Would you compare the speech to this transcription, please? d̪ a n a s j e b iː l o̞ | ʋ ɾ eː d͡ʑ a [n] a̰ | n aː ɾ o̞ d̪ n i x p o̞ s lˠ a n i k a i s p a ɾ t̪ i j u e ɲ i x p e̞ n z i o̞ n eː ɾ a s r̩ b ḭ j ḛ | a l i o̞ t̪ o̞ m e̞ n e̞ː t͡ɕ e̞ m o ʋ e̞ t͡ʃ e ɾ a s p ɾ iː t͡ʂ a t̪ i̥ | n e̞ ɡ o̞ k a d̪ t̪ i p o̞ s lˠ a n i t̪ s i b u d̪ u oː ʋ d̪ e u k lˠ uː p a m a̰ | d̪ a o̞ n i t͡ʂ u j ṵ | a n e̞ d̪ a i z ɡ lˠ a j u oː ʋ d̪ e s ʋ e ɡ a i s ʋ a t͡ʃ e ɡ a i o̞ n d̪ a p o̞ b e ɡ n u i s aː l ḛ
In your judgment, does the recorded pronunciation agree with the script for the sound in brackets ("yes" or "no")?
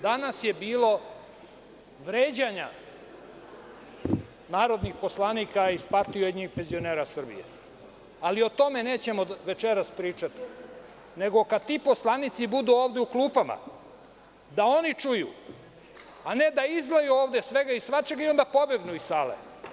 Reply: no